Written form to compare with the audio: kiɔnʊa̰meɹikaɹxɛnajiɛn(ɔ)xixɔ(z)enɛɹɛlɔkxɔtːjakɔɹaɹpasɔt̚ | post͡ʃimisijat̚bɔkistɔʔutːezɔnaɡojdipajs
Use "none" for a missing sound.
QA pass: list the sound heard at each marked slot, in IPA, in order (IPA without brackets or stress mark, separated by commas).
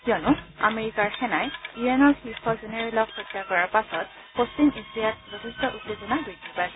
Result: ɔ, z